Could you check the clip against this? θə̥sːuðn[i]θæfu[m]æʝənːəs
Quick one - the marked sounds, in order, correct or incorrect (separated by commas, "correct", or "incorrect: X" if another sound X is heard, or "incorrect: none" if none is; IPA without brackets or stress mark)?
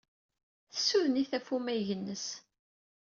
correct, correct